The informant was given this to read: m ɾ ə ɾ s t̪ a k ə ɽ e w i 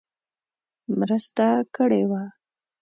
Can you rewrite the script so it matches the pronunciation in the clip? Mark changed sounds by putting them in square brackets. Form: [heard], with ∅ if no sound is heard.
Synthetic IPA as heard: m ɾ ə [∅] s t̪ a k ə ɽ e w [a]